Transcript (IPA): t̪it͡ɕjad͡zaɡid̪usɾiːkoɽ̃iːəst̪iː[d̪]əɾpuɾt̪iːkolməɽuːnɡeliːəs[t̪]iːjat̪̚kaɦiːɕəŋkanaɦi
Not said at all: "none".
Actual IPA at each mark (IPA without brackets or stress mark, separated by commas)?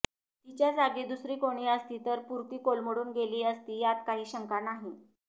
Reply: t̪, t̪